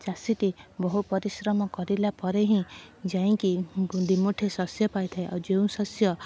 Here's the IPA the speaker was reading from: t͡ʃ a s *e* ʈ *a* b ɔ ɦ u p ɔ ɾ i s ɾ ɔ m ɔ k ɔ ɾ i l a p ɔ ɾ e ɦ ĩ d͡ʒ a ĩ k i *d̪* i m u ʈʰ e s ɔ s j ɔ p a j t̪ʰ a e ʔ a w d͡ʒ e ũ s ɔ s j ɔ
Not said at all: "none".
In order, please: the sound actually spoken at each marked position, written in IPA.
i, i, d̪

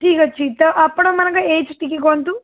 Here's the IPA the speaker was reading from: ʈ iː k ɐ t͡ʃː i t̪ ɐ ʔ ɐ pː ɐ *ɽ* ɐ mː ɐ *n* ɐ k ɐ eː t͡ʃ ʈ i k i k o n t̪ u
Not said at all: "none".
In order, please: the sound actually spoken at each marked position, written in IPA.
ɽ, n

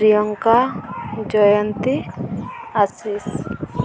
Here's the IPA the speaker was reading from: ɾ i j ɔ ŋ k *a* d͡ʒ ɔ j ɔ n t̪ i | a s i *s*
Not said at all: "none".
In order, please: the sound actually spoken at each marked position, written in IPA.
a, s

